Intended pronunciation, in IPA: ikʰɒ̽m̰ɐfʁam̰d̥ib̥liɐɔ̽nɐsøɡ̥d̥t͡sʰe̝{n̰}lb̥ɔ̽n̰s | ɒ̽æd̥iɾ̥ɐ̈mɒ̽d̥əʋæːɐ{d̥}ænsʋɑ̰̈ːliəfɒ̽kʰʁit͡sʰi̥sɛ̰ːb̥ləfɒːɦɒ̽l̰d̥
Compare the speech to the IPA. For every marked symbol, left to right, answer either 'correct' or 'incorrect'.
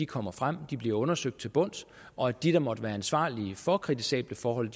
incorrect, incorrect

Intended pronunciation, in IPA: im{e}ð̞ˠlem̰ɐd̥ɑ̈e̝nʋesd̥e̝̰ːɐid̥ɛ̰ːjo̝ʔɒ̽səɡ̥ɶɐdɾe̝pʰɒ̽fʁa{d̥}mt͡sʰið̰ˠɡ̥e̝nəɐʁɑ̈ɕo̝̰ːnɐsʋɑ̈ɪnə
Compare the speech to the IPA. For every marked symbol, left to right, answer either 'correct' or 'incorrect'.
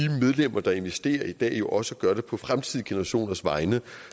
correct, incorrect

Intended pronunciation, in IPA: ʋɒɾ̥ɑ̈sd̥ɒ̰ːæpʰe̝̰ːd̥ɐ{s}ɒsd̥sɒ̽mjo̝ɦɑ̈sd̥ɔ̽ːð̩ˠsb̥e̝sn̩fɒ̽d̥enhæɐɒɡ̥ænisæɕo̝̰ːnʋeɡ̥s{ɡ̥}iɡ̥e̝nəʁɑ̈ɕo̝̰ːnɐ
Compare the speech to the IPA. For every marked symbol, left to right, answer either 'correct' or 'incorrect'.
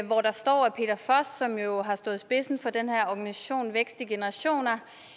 incorrect, incorrect

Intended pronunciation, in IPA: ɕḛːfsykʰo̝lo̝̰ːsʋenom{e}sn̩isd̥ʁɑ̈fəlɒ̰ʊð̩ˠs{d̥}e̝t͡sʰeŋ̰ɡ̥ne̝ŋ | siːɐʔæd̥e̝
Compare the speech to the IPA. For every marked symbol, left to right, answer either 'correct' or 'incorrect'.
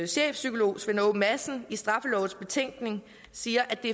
incorrect, incorrect

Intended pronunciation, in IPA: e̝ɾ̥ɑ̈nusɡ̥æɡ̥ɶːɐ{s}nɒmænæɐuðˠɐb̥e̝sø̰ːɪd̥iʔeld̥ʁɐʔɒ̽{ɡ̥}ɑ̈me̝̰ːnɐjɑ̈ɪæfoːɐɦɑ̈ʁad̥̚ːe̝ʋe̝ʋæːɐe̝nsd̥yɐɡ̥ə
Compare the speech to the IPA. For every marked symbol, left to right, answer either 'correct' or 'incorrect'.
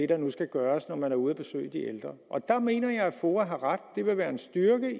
correct, incorrect

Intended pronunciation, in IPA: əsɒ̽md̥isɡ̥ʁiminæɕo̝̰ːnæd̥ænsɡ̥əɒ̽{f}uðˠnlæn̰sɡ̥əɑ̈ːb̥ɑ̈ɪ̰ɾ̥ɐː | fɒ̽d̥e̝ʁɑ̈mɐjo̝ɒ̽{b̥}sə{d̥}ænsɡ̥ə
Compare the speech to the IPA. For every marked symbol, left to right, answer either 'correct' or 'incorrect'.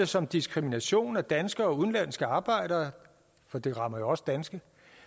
incorrect, incorrect, correct

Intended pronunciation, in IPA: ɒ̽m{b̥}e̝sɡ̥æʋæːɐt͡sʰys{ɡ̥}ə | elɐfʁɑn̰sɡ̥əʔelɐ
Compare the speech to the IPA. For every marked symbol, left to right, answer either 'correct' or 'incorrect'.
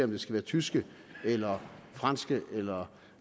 incorrect, correct

